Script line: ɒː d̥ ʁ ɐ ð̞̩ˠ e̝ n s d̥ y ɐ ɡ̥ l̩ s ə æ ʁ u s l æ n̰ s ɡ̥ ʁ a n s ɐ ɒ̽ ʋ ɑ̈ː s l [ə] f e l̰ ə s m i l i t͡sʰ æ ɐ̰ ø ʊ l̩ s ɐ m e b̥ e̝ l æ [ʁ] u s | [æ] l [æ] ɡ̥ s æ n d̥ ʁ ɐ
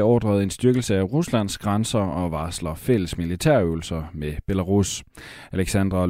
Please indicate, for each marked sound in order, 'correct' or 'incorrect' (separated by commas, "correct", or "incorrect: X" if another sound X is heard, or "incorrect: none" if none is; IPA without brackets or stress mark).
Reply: incorrect: ɐ, correct, correct, incorrect: e